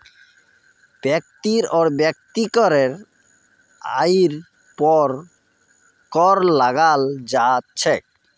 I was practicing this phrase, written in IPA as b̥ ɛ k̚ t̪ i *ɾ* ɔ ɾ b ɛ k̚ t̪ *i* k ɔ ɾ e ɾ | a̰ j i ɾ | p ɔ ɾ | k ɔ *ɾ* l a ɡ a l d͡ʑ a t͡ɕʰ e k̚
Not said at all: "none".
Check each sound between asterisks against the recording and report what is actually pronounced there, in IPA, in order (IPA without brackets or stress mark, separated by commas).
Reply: ɾ, i, ɾ